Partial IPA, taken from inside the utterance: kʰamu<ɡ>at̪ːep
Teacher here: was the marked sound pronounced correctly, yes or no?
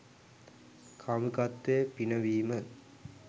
no